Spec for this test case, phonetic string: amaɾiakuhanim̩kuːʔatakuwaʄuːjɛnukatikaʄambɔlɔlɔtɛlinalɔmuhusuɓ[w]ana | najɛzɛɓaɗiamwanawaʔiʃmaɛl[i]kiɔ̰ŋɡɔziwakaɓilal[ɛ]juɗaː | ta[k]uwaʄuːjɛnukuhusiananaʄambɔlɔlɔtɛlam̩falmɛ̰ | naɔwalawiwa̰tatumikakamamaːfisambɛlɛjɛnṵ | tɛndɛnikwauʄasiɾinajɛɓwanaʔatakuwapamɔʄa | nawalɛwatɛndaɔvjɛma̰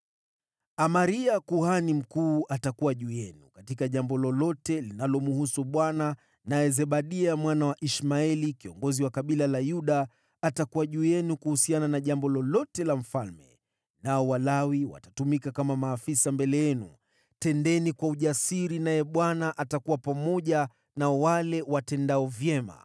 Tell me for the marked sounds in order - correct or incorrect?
correct, correct, incorrect, correct

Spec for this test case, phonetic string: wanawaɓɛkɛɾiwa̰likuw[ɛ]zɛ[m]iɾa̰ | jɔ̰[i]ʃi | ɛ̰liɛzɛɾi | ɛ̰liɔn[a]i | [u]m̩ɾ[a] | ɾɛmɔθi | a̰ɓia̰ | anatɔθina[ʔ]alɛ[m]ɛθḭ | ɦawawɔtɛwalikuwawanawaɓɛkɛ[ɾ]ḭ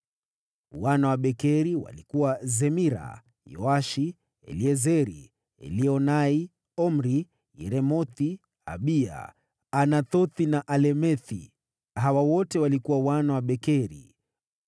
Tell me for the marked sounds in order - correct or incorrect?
incorrect, correct, incorrect, correct, incorrect, incorrect, correct, correct, correct

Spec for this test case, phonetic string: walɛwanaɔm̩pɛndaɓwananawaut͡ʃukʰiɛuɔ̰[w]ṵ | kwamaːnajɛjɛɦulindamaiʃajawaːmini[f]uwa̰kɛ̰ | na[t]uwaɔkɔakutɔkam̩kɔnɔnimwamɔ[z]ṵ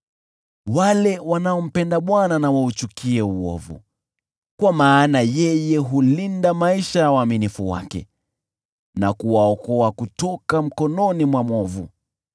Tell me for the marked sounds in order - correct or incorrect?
incorrect, correct, incorrect, incorrect

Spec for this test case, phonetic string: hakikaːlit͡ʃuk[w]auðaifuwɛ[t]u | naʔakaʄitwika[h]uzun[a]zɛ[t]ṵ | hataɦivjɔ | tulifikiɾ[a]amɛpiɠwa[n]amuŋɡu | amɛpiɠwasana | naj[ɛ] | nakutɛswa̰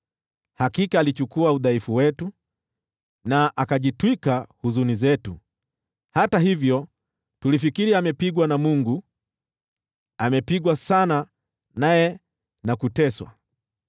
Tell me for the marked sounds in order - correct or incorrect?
incorrect, correct, correct, incorrect, correct, incorrect, correct, correct

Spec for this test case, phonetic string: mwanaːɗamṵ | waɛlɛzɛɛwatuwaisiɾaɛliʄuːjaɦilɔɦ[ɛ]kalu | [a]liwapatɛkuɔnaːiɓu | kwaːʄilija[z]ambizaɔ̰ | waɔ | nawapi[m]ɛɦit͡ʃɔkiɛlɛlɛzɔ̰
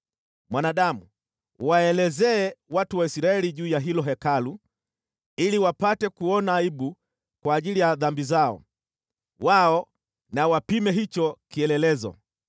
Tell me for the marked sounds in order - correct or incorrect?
correct, incorrect, incorrect, correct

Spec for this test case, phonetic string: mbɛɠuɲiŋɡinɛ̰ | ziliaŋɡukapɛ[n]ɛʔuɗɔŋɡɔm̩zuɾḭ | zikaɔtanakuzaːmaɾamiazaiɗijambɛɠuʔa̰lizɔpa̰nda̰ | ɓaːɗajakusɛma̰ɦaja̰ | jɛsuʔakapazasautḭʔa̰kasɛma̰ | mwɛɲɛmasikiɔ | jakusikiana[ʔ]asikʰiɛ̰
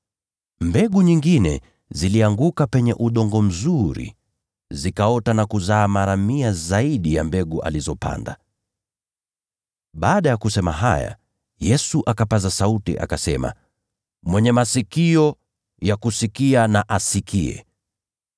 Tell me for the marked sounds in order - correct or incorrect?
incorrect, correct

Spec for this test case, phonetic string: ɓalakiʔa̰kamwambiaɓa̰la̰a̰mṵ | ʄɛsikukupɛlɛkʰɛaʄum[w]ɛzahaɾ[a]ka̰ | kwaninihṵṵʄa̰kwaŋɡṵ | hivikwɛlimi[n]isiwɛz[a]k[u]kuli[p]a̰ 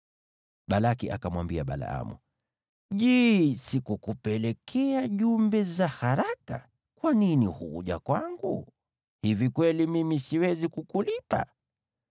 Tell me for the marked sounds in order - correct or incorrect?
incorrect, correct, incorrect, incorrect, correct, correct

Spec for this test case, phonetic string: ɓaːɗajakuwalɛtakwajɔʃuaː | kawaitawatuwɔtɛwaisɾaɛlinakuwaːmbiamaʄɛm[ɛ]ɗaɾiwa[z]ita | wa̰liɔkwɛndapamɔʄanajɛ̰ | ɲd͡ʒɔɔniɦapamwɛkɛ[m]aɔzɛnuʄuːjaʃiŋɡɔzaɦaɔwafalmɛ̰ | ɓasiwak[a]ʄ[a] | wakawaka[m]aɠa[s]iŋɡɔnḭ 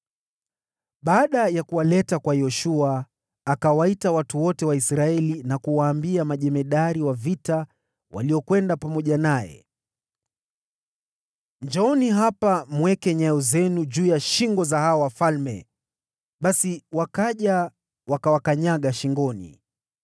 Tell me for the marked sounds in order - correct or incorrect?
correct, incorrect, incorrect, correct, correct, incorrect, incorrect

